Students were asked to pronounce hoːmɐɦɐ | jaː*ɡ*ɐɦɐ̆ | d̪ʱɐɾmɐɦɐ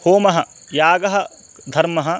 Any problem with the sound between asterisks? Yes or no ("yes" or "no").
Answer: no